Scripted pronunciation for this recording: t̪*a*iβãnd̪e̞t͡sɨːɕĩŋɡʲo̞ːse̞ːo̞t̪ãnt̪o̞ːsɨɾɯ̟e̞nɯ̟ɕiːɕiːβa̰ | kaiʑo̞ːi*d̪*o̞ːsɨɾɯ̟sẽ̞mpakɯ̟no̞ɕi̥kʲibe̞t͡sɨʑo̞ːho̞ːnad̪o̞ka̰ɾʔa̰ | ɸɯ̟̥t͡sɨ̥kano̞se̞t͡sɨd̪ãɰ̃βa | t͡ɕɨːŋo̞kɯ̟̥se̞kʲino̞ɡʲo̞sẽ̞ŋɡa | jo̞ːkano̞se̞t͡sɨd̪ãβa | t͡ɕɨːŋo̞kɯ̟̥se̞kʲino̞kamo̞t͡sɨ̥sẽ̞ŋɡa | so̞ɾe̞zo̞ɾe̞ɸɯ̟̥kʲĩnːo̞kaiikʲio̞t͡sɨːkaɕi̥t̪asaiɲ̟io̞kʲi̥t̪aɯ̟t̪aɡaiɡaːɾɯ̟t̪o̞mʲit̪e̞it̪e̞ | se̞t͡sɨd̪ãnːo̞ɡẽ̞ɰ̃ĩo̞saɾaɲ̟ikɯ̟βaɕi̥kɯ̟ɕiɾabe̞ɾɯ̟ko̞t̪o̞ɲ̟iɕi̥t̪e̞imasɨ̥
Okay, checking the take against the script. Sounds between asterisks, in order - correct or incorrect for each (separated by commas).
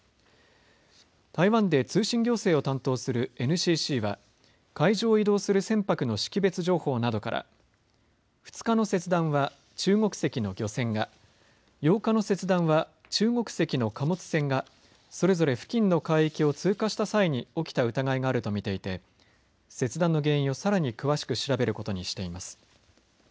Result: correct, correct